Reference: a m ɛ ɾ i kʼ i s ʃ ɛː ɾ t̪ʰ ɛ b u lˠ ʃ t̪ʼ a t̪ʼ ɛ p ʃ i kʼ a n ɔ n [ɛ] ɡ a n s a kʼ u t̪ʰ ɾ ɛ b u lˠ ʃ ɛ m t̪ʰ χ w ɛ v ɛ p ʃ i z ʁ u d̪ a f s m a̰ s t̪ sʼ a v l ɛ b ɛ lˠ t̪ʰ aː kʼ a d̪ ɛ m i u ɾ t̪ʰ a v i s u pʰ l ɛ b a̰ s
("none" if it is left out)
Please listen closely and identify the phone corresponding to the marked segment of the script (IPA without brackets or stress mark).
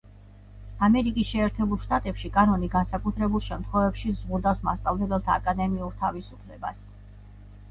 i